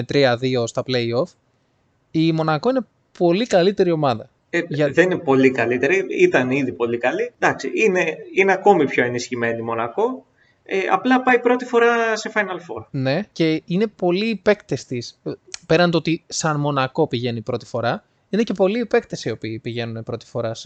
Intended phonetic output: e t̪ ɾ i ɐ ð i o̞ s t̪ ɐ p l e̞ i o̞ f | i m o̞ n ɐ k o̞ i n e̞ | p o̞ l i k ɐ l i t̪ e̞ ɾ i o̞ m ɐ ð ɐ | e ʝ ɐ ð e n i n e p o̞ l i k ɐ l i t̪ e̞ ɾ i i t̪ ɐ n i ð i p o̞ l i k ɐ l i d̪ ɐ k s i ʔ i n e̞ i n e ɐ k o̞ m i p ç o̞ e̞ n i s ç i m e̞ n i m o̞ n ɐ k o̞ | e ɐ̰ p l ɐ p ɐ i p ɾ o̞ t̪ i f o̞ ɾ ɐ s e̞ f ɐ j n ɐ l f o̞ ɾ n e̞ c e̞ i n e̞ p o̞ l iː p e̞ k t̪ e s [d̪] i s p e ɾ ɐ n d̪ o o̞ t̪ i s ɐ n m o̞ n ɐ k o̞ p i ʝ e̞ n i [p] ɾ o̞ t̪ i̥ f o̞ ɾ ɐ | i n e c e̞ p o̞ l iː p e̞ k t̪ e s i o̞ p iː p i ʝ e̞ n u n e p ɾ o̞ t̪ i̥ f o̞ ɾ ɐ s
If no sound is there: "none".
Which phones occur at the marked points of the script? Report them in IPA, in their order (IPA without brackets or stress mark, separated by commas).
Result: t̪, p